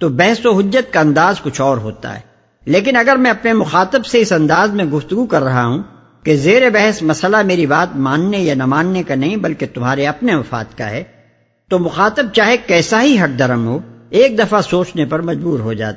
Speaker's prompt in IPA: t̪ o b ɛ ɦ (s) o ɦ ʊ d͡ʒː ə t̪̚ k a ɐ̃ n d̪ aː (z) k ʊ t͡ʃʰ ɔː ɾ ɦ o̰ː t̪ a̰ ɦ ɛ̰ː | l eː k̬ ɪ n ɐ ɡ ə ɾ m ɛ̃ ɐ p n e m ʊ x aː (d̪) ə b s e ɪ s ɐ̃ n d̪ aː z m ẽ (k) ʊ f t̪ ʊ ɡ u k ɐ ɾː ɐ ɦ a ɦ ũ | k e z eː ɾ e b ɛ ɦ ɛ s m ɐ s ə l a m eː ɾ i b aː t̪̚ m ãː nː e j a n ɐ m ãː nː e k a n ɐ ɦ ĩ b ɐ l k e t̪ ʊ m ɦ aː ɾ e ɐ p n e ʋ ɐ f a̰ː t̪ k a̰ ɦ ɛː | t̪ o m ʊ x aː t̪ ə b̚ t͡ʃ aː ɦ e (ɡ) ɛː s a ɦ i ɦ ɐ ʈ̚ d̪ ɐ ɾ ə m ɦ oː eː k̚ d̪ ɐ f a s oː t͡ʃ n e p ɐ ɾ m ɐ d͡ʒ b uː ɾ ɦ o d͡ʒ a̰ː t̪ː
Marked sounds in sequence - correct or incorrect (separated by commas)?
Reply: correct, correct, incorrect, incorrect, incorrect